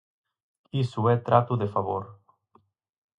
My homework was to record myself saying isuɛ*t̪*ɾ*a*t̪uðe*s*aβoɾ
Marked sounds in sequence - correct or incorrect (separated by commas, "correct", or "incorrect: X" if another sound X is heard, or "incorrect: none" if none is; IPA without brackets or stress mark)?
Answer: correct, correct, incorrect: f